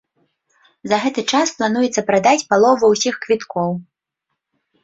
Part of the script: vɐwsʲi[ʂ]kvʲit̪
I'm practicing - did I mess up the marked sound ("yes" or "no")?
yes